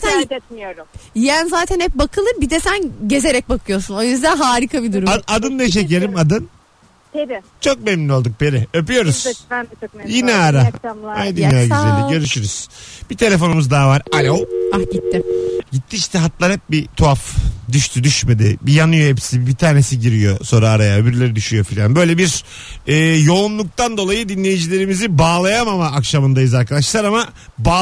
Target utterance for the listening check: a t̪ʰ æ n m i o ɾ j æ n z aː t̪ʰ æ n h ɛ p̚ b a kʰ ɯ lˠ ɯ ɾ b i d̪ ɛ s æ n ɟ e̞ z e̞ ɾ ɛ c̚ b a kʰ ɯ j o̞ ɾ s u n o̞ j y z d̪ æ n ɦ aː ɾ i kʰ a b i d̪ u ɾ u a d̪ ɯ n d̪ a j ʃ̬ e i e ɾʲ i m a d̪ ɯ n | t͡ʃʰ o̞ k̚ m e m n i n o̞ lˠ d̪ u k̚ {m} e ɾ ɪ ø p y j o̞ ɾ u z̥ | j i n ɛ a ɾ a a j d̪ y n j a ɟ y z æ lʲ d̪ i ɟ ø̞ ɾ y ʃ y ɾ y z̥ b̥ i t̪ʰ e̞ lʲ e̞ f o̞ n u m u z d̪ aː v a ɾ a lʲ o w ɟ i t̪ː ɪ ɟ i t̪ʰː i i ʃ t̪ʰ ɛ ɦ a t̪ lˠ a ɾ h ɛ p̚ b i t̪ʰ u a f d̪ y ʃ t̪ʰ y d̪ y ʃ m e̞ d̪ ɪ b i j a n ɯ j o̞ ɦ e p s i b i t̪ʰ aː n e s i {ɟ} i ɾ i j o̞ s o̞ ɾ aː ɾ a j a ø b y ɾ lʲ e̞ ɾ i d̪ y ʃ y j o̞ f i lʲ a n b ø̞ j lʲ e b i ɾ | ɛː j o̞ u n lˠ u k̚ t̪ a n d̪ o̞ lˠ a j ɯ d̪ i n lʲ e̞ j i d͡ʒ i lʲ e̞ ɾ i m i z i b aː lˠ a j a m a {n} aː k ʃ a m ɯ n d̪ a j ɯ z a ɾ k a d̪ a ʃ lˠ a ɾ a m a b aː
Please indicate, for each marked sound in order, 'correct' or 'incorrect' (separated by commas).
incorrect, correct, incorrect